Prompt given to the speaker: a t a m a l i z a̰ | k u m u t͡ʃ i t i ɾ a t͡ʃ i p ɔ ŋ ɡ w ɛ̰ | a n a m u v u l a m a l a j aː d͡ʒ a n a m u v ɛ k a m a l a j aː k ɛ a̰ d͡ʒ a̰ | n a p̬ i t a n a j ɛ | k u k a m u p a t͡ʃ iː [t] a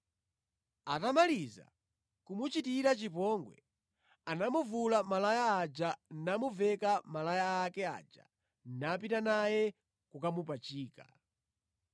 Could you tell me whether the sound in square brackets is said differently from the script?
yes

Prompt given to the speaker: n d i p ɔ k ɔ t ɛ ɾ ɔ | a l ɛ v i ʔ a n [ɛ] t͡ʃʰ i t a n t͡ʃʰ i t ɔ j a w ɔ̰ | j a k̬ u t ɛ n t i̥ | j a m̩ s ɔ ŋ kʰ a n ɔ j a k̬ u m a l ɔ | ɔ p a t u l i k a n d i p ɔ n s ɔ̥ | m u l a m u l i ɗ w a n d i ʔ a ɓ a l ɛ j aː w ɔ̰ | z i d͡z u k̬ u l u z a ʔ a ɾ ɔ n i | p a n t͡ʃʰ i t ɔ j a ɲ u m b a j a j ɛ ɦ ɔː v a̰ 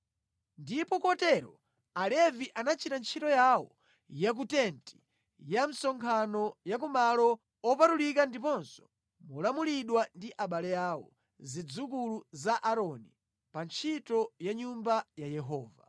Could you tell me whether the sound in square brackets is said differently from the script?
yes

